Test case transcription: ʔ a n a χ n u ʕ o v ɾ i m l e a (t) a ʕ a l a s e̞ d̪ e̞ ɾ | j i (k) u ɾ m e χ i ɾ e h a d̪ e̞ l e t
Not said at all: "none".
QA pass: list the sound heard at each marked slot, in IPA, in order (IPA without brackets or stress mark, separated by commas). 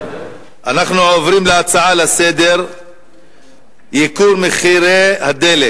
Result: t͡s, k